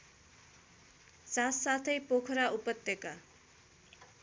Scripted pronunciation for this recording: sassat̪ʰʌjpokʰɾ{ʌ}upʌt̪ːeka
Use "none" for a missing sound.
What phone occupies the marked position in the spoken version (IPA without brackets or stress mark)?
a